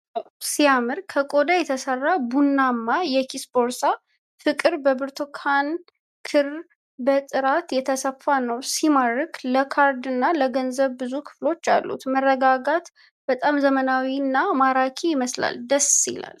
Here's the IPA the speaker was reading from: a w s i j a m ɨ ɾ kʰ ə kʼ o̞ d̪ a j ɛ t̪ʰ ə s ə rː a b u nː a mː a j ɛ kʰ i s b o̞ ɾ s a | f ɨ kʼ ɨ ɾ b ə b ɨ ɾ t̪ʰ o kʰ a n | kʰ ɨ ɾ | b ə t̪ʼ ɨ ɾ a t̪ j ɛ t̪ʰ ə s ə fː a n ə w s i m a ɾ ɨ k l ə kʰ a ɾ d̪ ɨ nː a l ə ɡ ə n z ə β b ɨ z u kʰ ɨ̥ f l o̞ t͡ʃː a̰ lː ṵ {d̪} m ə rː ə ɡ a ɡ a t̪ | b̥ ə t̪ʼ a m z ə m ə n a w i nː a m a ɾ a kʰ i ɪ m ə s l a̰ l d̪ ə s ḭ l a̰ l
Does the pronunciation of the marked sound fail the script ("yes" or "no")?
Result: yes